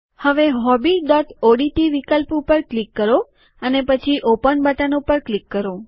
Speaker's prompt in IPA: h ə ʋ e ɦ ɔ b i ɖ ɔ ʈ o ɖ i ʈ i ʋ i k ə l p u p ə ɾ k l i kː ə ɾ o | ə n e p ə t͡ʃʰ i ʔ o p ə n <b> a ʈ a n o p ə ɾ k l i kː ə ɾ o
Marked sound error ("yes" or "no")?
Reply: no